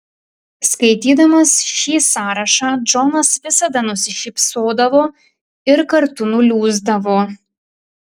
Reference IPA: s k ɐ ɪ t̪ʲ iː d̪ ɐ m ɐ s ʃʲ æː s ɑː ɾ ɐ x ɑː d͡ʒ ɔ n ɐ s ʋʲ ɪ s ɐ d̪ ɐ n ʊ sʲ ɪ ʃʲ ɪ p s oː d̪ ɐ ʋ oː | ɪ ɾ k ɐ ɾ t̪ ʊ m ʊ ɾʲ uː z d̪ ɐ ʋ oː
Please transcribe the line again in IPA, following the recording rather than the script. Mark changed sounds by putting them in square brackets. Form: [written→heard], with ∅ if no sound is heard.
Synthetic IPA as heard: s k ɐ ɪ t̪ʲ iː d̪ ɐ m ɐ s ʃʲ [æː→iː] s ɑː ɾ ɐ [x→ʃ] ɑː d͡ʒ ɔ n ɐ s ʋʲ ɪ s ɐ d̪ ɐ n ʊ sʲ ɪ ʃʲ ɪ p s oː d̪ ɐ ʋ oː | ɪ ɾ k ɐ ɾ t̪ ʊ [m→n] ʊ [ɾʲ→lʲ] uː z d̪ ɐ ʋ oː